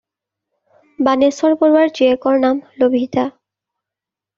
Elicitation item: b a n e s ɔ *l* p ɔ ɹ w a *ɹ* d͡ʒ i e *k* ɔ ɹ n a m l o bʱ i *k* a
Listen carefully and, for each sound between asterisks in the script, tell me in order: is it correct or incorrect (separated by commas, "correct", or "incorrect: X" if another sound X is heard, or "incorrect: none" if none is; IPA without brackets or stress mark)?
incorrect: ɹ, correct, correct, incorrect: t